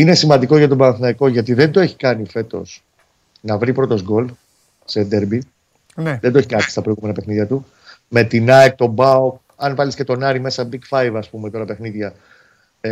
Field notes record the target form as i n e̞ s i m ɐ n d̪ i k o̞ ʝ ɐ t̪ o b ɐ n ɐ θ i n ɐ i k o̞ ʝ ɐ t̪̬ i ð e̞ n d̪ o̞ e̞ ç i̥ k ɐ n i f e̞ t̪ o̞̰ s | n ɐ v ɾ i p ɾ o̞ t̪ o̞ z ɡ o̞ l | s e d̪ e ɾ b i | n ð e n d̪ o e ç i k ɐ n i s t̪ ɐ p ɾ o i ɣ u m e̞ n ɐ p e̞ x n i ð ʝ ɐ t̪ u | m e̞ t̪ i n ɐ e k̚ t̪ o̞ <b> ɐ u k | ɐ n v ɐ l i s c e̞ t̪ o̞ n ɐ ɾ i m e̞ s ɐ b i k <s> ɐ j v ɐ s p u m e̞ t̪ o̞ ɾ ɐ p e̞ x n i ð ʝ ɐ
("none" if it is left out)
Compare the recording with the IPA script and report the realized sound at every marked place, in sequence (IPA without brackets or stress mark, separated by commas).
b, f